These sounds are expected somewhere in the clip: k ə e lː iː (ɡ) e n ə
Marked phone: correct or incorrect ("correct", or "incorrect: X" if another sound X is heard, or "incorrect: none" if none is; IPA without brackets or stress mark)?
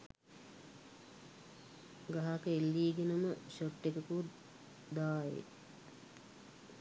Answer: correct